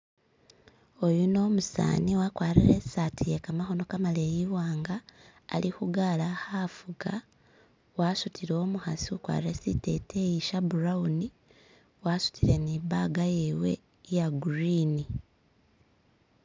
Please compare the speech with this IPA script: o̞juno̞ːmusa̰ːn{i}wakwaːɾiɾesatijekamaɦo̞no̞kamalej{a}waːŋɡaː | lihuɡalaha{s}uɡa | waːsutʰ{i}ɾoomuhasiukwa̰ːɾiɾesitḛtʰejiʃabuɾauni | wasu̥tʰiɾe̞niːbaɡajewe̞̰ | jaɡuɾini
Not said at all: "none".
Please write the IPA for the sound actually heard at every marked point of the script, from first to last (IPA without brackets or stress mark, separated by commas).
i, i, f, i